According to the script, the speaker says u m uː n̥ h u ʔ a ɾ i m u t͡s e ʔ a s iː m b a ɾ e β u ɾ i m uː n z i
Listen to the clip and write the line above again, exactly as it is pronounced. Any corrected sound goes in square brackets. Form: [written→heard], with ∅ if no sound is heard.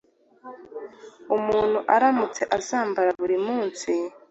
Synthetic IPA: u m uː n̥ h u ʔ a ɾ [i→a] m u t͡s e ʔ a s [iː→aː] m b a ɾ [e→a] β u ɾ i m uː n [z→s] i